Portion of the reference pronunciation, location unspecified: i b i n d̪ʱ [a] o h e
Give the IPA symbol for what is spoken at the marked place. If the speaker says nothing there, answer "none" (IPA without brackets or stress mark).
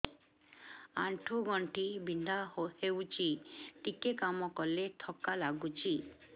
a